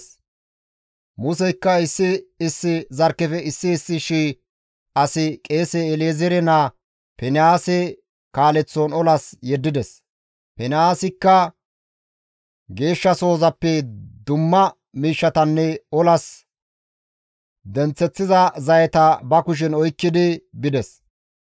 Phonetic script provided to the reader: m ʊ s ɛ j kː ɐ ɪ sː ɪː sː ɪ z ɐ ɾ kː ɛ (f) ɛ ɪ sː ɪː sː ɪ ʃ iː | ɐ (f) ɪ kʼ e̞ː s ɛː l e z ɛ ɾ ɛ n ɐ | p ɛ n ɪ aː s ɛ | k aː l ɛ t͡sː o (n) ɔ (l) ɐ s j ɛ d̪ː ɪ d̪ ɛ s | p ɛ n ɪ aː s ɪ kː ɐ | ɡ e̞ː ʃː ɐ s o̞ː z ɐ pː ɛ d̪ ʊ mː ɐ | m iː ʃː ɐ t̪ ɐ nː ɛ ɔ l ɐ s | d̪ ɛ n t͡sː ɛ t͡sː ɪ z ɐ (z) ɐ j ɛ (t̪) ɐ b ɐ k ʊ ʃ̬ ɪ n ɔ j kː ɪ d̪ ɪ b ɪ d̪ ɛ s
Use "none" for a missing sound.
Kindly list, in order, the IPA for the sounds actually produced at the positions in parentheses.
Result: f, s, n, l, z, t̪

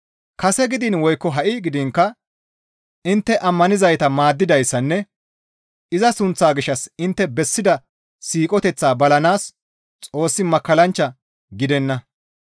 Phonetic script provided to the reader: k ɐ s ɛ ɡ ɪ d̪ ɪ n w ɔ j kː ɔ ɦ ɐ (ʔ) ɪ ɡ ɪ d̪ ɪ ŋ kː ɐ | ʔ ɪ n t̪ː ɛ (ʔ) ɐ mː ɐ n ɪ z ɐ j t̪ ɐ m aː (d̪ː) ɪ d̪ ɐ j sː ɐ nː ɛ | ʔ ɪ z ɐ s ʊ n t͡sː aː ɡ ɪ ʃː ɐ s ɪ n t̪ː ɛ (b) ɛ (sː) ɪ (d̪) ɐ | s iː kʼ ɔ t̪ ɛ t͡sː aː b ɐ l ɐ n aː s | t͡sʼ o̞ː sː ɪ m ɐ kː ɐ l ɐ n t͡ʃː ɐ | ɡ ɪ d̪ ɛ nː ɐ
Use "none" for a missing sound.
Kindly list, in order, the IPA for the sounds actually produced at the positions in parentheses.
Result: ʔ, ʔ, d̪ː, b, sː, d̪

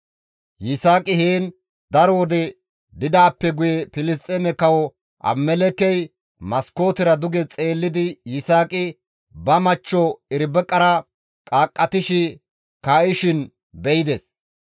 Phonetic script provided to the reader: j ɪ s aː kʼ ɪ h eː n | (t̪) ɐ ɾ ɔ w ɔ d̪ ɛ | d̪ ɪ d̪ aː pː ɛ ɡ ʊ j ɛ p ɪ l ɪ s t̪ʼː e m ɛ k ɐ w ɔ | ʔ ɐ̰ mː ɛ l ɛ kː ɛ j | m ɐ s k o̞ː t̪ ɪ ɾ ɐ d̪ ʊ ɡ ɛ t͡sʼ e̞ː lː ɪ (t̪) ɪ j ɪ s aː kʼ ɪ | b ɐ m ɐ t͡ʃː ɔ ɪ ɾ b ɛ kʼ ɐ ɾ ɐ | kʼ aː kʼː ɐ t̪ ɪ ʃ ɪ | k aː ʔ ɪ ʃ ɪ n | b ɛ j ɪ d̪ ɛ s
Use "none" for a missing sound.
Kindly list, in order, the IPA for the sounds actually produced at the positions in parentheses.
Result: d̪, d̪

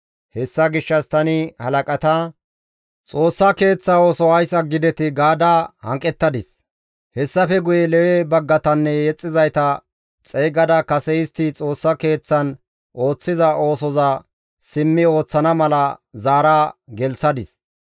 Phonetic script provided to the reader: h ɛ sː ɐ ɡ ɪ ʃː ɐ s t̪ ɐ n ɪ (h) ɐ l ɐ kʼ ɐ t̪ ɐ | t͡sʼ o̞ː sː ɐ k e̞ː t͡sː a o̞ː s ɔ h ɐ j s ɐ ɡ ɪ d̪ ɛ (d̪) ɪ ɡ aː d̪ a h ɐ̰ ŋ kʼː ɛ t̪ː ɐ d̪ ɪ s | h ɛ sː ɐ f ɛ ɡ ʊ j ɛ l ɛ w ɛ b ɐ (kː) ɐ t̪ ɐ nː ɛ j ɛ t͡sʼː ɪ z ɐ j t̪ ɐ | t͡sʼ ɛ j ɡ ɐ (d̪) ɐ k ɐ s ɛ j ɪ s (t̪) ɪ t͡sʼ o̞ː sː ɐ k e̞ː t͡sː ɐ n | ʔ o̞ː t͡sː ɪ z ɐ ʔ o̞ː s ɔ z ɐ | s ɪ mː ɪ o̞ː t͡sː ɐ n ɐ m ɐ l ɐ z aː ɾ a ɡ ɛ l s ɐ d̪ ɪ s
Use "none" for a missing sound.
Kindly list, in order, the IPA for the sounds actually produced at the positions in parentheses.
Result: h, t̪, ɡː, d̪, t̪

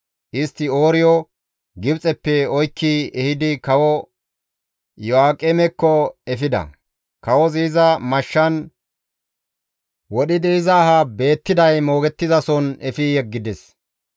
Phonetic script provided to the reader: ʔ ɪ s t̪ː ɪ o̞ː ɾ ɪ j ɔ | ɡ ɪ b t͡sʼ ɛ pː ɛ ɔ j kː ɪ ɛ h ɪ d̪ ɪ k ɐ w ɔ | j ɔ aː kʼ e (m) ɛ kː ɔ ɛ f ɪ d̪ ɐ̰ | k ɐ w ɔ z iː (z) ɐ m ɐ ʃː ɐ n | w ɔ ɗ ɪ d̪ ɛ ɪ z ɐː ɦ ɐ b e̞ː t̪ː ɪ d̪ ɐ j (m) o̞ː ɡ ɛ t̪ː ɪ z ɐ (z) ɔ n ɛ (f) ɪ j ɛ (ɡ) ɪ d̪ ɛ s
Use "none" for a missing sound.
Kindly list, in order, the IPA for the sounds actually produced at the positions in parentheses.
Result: m, z, m, s, f, ɡː

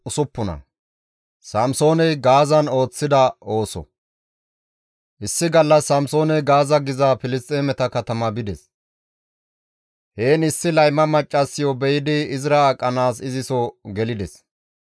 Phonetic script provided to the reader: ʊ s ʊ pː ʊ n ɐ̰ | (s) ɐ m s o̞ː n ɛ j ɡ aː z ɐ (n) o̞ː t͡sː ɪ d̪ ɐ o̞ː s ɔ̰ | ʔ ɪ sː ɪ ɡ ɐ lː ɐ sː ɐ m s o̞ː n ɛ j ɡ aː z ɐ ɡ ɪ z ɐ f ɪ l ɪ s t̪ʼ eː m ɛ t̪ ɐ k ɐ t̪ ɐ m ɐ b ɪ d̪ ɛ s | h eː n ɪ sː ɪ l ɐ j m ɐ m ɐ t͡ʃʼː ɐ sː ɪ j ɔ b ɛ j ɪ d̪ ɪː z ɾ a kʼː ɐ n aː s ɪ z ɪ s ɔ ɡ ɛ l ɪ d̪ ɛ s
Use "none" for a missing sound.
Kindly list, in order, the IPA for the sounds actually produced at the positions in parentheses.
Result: s, n

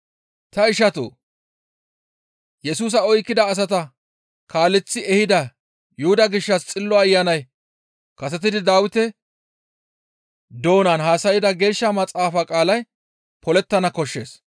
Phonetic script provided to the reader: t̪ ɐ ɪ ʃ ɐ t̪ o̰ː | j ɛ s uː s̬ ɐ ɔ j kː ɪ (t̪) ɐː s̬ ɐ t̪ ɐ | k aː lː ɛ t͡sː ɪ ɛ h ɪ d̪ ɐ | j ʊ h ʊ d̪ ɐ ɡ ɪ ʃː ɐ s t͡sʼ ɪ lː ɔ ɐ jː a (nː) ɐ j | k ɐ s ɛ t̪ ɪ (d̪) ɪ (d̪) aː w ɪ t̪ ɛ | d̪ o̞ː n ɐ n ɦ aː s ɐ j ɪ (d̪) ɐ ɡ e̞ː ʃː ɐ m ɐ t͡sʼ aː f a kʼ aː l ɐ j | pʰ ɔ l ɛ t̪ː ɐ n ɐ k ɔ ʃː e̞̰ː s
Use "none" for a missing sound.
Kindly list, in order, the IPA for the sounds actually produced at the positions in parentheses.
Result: d̪, n, d̪, d̪, d̪

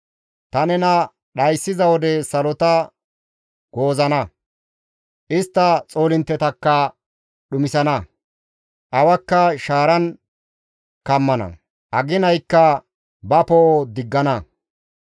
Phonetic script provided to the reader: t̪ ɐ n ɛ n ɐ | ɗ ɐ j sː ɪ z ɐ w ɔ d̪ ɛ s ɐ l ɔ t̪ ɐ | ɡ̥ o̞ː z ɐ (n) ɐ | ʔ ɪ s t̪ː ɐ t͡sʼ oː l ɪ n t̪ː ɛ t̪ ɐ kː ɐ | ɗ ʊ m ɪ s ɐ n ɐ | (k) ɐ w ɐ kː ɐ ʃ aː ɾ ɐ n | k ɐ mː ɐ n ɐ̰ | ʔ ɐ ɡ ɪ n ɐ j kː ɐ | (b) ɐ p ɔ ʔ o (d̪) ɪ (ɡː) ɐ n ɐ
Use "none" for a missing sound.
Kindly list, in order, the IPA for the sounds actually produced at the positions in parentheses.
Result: n, ʔ, b, d̪, ɡː

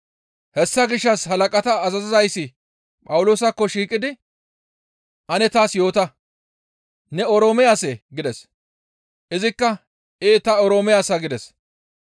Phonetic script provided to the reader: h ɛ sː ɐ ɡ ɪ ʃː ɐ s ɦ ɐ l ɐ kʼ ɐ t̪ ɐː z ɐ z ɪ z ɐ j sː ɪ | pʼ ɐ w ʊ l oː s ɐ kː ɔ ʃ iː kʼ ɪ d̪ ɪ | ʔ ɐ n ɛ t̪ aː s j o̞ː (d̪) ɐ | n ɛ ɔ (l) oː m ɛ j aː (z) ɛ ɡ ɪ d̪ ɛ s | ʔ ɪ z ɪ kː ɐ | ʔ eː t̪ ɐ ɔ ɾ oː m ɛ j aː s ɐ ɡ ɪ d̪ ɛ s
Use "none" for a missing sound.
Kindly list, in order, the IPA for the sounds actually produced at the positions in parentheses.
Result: t̪, ɾ, s

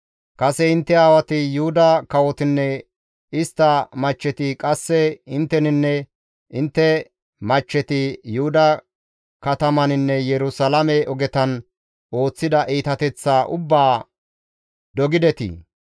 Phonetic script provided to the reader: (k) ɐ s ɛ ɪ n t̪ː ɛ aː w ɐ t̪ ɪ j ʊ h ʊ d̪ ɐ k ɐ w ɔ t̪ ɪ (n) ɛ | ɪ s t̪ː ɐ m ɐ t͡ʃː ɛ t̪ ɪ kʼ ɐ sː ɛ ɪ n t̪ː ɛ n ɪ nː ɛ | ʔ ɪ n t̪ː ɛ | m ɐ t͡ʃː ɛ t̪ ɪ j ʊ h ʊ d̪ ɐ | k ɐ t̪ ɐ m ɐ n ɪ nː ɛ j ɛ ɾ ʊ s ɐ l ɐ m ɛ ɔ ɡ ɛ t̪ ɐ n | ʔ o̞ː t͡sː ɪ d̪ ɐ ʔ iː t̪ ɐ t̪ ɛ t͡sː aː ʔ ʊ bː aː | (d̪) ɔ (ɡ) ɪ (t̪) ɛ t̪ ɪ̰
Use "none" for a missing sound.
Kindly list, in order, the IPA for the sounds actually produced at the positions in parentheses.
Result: kʼ, nː, d̪, ɡ, d̪

